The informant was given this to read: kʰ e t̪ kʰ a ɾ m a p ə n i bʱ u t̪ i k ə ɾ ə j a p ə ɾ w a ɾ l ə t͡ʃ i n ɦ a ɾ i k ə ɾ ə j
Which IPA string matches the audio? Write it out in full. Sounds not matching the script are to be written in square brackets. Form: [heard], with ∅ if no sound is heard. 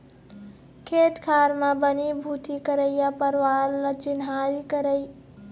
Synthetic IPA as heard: kʰ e t̪ kʰ a ɾ m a [b] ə n i bʱ u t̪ i k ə ɾ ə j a p ə ɾ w a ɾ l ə t͡ʃ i n ɦ a ɾ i k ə ɾ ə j